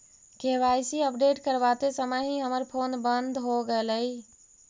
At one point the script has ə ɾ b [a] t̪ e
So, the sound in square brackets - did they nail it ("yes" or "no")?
yes